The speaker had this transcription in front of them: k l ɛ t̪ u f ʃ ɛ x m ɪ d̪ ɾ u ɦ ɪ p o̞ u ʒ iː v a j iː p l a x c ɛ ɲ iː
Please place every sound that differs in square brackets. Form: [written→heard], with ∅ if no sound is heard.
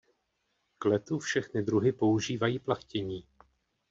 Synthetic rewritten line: k l ɛ t̪ u f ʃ ɛ x [m→n] ɪ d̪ ɾ u ɦ ɪ p o̞ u ʒ iː v a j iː p l a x c ɛ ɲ iː